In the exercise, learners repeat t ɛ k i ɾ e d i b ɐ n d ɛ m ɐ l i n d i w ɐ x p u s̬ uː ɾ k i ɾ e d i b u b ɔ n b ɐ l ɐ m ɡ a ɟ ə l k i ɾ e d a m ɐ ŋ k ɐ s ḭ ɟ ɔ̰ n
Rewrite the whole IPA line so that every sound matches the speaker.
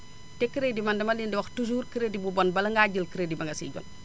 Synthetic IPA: t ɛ k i ɾ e d i m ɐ n d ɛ m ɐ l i n d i w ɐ x t u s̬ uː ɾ k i ɾ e d i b u b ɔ n b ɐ l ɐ ŋ ɡ a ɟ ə l k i ɾ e d i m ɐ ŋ ɡ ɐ s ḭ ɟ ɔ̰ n